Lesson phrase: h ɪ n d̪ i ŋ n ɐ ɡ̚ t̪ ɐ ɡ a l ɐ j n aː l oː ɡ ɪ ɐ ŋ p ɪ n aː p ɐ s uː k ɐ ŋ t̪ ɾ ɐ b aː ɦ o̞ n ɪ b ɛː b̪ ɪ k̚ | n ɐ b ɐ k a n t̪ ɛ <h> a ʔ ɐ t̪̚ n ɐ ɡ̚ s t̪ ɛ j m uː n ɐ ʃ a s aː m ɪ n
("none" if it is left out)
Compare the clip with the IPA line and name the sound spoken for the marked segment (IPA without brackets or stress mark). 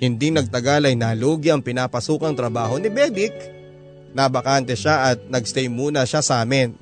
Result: ʃ